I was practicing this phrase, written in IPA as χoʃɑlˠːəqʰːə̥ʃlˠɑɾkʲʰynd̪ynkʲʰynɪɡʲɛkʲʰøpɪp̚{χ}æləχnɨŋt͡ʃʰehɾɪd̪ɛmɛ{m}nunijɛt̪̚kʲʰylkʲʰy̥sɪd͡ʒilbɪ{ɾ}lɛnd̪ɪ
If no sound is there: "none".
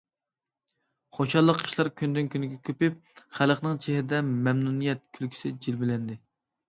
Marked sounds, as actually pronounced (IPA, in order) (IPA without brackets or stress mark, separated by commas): χ, m, none